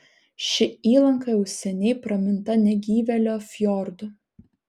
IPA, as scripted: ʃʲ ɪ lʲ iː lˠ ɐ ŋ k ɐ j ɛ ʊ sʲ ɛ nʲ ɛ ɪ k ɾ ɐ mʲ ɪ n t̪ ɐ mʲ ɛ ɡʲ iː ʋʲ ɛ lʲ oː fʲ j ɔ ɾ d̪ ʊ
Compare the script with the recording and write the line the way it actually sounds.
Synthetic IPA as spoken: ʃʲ ɪ iː lˠ ɐ ŋ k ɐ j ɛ ʊ sʲ ɛ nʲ ɛ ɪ p ɾ ɐ mʲ ɪ n t̪ ɐ nʲ ɛ ɡʲ iː ʋʲ ɛ lʲ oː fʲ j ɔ ɾ d̪ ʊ